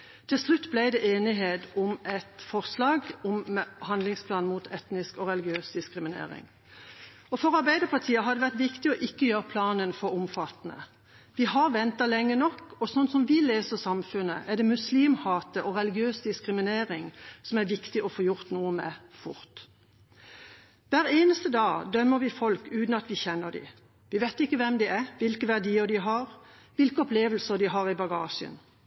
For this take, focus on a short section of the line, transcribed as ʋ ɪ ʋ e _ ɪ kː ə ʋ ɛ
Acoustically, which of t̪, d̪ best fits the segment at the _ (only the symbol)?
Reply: t̪